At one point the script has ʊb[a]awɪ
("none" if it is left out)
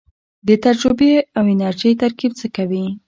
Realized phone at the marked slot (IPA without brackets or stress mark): e